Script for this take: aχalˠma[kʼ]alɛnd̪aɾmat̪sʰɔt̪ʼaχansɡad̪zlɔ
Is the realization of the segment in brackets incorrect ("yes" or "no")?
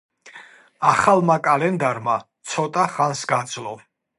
no